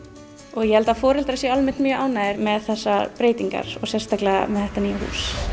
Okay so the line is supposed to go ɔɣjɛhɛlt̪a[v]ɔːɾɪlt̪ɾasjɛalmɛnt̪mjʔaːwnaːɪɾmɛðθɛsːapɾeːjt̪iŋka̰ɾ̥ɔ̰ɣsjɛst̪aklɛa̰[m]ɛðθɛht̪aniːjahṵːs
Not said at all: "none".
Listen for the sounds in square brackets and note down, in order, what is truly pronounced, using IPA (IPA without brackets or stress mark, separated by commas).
f, m